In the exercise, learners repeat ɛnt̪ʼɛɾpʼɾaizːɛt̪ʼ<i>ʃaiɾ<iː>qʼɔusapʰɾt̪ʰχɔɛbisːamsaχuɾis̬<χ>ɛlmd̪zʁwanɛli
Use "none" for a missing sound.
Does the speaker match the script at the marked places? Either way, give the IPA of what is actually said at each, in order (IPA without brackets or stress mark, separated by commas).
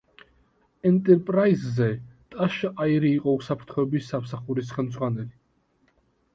a, iː, χ